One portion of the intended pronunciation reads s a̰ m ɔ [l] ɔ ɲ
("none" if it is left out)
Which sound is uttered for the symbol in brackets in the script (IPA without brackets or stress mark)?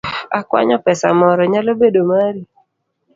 ɾ